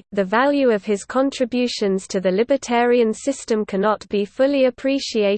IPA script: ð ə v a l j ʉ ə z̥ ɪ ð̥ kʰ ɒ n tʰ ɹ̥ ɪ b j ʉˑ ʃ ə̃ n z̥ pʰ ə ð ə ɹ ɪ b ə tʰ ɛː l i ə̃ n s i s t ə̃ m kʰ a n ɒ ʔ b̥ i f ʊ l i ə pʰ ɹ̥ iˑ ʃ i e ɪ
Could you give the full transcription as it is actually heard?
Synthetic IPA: ð ə v a l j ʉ ə v̥ ɪ z̥ kʰ ɒ̃ n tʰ ɹ̥ ɪ b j ʉˑ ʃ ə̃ n z̥ tʰ ə ð ə l ɪ b ə tʰ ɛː ɹ i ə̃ n s ɪ s t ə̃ m kʰ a n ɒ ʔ b̥ i f ʊ l i ə pʰ ɹ̥ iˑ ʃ i e ɪ